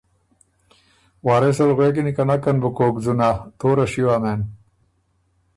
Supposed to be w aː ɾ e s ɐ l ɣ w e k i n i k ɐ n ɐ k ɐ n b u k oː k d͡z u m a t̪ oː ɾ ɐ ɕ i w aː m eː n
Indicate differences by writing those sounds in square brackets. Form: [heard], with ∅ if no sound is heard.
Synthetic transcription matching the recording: w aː ɾ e s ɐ l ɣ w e k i n i k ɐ n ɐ k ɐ n b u k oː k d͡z u [n] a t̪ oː ɾ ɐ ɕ i w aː m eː n